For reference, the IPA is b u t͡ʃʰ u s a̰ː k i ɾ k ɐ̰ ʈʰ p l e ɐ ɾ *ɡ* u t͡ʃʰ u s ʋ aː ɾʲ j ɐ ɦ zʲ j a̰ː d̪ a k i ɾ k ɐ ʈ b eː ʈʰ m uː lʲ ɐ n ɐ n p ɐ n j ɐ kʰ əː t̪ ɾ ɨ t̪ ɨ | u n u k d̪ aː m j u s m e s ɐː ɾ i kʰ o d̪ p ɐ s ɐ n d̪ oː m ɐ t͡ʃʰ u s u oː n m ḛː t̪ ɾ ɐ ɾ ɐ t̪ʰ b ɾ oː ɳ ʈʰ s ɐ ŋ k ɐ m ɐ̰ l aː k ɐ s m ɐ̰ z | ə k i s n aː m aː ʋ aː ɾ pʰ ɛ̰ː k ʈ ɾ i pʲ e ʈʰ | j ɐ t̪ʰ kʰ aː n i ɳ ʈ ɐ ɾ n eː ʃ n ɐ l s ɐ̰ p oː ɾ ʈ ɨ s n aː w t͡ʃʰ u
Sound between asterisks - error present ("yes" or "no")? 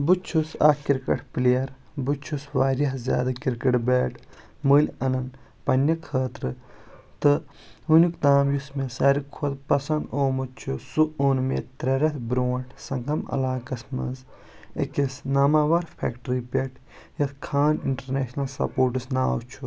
yes